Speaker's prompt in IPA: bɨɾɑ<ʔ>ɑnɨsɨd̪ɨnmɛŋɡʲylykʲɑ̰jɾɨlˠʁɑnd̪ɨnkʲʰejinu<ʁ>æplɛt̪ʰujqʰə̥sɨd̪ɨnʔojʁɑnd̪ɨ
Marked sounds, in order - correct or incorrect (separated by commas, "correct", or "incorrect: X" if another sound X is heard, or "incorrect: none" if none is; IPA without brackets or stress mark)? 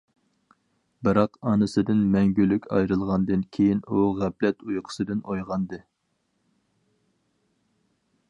incorrect: q, correct